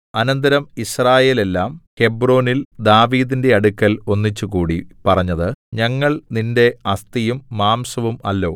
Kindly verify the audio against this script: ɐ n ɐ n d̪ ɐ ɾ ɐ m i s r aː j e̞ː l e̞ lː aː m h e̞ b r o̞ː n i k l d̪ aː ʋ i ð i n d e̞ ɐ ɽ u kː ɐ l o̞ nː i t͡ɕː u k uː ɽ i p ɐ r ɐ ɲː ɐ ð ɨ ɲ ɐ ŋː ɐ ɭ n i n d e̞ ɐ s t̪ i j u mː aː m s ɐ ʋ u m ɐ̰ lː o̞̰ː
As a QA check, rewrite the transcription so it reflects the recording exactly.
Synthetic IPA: ɐ n ɐ n d̪ ɐ ɾ ɐ m i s r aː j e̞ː l e̞ lː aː m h e̞ b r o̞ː n i l d̪ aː ʋ iː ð i n d e̞ ɐ ɽ u kː ɐ l o̞ nː i t͡ɕː u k uː ɽ i p ɐ r ɐ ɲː ɐ ð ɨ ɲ ɐ ŋː ɐ ɭ n i n d e̞ ɐ s t̪ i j u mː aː m s ɐ ʋ u m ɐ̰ lː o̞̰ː